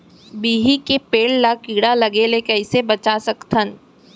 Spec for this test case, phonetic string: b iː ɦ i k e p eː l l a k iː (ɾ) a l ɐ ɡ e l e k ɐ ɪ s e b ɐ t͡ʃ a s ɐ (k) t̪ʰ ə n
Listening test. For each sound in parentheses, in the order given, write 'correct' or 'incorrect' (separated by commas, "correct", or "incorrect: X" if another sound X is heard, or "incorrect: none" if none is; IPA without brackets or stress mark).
incorrect: ɽ, correct